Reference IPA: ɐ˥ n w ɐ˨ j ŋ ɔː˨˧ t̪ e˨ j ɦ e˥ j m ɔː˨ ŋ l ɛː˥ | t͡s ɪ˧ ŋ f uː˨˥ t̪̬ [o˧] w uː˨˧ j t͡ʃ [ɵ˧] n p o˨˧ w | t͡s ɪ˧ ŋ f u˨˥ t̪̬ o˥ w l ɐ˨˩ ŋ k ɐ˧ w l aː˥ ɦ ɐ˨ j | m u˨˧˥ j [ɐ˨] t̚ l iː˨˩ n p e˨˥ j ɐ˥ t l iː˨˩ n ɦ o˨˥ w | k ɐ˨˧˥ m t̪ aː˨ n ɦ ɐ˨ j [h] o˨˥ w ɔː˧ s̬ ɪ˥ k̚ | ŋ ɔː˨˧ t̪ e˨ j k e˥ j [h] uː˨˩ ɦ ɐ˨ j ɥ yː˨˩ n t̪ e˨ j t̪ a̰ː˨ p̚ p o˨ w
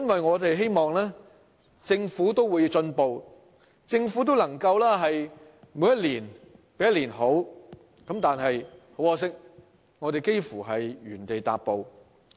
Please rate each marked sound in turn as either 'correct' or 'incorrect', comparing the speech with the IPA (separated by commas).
incorrect, correct, incorrect, correct, incorrect